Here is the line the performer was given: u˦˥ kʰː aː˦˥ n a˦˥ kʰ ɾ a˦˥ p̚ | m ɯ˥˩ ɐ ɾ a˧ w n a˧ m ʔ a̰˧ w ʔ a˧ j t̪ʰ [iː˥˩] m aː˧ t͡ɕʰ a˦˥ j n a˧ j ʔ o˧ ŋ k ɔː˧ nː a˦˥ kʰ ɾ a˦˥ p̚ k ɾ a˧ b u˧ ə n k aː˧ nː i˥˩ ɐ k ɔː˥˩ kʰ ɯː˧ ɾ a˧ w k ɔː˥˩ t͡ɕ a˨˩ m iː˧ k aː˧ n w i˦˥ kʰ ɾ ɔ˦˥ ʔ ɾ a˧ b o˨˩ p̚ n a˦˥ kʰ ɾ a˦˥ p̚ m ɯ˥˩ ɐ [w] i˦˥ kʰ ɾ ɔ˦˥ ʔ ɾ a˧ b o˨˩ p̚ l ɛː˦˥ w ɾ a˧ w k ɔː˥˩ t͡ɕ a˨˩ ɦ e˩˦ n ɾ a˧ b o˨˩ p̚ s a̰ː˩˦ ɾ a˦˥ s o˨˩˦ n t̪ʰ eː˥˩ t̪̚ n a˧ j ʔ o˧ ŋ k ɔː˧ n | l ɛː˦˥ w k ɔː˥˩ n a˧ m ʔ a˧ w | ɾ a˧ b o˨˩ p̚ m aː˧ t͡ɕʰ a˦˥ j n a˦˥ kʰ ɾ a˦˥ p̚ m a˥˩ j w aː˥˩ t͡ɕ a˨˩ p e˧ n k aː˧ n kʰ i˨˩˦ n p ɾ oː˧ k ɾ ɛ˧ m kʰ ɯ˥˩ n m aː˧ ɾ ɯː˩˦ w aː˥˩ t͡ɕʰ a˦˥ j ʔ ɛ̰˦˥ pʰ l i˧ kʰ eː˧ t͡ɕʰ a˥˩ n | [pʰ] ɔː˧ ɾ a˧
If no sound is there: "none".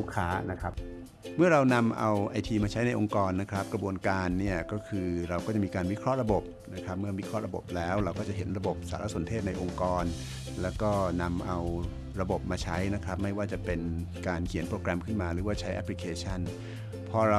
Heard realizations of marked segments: iː˧, w, pʰ

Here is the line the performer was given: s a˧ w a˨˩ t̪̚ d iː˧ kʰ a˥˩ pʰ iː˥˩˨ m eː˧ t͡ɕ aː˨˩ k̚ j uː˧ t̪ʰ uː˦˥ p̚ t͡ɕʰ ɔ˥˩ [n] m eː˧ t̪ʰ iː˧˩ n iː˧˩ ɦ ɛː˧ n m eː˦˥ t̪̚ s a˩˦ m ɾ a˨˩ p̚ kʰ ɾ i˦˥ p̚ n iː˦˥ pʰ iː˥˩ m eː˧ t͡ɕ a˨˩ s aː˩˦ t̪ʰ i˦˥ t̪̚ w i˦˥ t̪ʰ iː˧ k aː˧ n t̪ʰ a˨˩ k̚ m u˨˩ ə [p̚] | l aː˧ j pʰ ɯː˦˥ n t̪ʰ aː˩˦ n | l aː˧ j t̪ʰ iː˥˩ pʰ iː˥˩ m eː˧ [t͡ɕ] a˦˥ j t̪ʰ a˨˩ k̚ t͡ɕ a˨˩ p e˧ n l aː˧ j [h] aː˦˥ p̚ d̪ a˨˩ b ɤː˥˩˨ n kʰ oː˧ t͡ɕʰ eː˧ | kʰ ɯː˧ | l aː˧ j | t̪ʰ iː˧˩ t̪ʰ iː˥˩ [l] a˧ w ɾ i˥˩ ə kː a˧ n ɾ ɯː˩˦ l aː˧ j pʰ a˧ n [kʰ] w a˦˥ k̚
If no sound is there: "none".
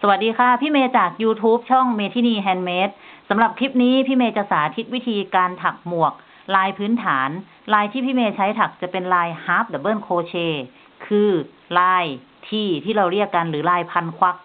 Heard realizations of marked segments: ŋ, k̚, t͡ɕʰ, h, ɾ, kʰ

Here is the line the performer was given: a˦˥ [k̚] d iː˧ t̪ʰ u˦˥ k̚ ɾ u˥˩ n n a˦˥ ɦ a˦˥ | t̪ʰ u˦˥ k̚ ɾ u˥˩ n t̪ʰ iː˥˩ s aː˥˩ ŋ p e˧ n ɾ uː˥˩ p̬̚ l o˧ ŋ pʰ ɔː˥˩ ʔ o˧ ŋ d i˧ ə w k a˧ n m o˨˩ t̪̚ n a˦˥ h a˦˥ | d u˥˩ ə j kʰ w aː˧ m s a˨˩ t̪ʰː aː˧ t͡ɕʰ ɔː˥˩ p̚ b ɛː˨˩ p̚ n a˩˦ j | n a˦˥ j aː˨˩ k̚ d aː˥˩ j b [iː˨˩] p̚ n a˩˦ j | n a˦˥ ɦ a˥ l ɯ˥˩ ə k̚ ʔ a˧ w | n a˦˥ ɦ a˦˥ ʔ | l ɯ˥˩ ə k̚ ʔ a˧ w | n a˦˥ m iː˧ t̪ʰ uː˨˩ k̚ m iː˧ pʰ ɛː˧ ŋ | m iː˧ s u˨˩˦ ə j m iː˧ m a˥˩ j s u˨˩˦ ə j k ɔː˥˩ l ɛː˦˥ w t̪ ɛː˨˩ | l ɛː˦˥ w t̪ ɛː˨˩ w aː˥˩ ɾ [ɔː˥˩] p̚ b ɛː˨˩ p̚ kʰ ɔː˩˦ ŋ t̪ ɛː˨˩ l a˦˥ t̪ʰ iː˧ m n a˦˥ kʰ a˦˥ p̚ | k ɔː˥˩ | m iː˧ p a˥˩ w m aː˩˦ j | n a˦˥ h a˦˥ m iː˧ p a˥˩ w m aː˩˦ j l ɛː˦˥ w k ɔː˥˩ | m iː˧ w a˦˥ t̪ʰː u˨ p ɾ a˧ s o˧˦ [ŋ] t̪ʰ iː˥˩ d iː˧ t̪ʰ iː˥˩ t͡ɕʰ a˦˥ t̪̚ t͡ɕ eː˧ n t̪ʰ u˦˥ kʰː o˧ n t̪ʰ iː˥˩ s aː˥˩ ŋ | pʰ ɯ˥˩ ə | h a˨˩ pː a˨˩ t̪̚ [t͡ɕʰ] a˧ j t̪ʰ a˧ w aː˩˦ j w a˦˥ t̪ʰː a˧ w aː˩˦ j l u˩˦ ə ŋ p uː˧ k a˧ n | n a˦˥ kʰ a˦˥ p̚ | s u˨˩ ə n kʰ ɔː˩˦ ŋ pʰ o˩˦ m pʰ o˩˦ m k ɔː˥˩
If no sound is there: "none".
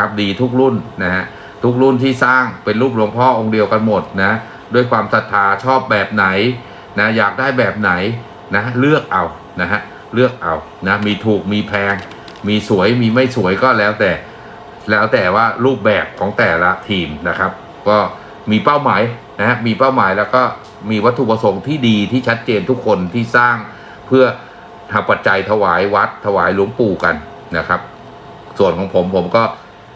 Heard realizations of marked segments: p̚, ɛː˨˩, uː˥˩, ŋ, t͡ɕ

